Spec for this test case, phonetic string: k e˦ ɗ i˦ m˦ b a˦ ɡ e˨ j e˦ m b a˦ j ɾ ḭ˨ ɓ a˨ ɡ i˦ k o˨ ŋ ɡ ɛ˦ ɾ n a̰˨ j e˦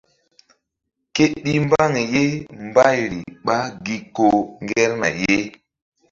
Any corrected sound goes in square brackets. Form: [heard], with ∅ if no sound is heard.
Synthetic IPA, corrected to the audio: k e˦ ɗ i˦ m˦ b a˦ [ŋ] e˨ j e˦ m b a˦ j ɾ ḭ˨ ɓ [a˦] ɡ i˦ k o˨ ŋ ɡ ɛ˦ ɾ n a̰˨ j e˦